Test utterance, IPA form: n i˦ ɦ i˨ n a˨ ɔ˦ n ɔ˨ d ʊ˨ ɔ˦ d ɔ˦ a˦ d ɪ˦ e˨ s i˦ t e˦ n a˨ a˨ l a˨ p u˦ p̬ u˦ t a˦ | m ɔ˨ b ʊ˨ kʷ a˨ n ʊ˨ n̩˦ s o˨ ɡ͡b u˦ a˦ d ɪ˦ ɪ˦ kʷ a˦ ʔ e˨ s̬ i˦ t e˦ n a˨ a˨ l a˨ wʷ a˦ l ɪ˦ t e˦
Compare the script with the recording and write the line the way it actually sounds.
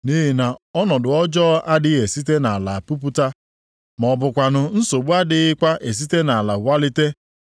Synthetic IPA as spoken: n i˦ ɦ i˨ n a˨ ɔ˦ n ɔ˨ d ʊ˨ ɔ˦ d͡ʒ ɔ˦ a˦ d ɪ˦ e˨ s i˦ t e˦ n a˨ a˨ l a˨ p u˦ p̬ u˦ t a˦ | m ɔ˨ b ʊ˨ kʷ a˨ n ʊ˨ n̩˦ s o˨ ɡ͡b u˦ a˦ d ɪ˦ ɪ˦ kʷ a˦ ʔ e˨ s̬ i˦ t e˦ n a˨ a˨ l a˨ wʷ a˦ l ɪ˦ t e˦

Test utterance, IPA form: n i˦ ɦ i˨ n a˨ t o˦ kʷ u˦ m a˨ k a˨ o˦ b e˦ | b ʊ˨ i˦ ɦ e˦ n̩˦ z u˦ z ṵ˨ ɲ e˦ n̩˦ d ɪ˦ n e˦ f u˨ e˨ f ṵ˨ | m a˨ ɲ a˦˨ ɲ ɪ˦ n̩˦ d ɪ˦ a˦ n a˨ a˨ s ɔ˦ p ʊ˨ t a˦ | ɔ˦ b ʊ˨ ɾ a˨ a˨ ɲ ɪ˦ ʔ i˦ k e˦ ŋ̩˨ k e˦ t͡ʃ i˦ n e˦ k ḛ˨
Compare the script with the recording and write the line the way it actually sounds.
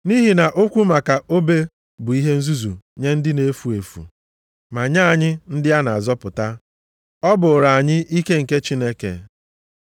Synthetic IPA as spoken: n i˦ ɦ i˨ n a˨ ʔ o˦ kʷ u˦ m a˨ k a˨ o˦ b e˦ | b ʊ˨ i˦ ɦ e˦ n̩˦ z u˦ z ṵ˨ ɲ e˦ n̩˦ d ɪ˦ n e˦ f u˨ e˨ f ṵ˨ | m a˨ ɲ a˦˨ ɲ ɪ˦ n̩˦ d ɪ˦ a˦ n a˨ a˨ z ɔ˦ p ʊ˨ t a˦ | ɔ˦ b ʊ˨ ɾ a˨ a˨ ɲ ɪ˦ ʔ i˦ k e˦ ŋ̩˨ k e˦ t͡ʃ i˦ n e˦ k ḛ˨

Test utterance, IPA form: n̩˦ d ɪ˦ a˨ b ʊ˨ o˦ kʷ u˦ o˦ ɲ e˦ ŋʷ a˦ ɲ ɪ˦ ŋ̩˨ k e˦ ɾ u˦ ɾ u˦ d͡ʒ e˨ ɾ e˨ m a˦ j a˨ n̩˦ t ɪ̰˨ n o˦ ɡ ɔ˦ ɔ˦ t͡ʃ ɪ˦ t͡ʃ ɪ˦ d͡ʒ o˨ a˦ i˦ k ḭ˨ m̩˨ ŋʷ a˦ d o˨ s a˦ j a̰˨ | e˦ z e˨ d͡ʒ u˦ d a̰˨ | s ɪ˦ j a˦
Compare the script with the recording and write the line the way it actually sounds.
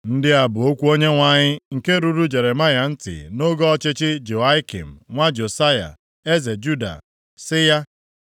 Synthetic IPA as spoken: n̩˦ d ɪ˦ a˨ b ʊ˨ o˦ kʷ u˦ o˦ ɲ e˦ ŋʷ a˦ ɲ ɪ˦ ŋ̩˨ k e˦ ɾ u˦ ɾ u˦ d͡ʒ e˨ ɾ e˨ m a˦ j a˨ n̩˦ t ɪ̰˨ n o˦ ɡ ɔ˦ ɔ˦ t͡ʃ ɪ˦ t͡ʃ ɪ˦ d͡ʒ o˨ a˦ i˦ k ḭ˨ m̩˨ ŋʷ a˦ d͡ʒ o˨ s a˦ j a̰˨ | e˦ z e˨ d͡ʒ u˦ d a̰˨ | s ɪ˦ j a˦

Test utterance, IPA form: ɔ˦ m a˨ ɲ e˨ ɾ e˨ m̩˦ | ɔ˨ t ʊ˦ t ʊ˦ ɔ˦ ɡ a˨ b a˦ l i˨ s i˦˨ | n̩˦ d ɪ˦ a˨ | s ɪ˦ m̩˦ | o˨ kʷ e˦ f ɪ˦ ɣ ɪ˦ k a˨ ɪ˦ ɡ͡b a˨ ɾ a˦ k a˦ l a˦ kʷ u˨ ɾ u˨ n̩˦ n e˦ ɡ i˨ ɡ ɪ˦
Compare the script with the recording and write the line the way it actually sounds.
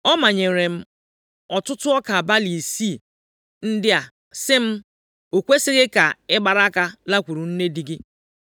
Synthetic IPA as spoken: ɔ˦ m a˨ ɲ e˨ ɾ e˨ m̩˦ | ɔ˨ t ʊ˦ t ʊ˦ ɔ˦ k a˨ b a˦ l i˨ s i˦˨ | n̩˦ d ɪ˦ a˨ | s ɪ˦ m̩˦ | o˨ kʷ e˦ s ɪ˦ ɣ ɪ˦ k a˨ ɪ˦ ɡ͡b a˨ ɾ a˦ k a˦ l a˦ kʷ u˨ ɾ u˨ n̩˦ n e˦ d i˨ ɡ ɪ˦

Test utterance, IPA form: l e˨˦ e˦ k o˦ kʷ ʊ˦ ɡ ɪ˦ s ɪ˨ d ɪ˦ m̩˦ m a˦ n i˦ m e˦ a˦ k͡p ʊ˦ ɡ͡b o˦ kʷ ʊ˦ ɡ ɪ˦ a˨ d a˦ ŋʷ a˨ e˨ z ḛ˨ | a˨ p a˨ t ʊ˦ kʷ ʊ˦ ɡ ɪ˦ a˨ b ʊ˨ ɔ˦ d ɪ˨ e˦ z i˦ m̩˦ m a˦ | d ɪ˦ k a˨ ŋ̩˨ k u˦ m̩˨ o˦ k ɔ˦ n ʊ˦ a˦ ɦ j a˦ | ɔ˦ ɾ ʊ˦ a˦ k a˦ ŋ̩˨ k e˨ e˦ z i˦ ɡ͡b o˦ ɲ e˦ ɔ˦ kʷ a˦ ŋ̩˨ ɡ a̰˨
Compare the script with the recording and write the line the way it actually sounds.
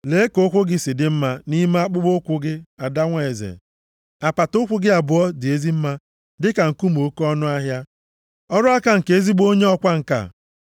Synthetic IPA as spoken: l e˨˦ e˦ k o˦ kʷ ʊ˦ ɡ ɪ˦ s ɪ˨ d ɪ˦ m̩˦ m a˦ n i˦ m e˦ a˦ k͡p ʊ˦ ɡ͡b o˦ kʷ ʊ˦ ɡ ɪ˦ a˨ d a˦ ŋʷ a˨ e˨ z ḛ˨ | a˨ p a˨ t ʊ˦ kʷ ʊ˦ ɡ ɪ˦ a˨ b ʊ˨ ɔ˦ d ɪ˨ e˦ z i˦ m̩˦ m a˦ | d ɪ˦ k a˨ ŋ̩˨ k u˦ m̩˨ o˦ k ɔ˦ n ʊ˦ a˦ ɦ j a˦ | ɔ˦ ɾ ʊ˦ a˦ k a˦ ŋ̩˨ k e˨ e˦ z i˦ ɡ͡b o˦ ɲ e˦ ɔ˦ kʷ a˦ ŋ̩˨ k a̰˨

